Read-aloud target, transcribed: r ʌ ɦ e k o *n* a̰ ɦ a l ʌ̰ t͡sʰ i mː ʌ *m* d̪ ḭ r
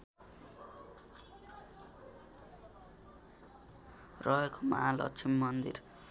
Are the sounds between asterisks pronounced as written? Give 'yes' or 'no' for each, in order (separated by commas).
no, no